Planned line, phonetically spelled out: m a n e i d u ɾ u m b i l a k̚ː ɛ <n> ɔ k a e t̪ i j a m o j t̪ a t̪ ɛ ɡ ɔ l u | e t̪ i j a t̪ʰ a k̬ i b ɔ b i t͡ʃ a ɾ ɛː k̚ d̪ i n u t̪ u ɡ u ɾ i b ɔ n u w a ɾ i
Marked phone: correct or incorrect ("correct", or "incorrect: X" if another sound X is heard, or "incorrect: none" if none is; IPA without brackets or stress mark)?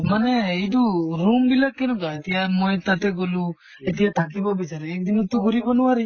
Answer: correct